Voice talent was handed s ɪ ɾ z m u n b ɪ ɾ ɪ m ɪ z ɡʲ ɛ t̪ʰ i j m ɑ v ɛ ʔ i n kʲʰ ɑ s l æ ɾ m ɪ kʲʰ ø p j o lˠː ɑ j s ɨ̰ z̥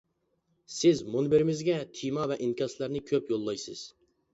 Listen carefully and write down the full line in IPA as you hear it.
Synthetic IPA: s ɪ z m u n b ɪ ɾ ɪ m ɪ z ɡʲ ɛ t̪ʰ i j m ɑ v ɛ ʔ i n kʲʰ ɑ s l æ ɾ n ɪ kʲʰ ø p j o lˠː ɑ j s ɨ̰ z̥